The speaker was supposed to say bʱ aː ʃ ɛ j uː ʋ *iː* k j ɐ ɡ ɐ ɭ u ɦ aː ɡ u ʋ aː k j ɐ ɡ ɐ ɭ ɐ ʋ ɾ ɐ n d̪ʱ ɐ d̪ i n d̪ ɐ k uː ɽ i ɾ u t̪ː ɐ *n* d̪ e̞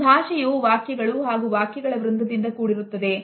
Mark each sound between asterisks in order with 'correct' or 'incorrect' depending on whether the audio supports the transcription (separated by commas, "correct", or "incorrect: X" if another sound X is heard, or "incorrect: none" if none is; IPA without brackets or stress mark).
incorrect: aː, incorrect: none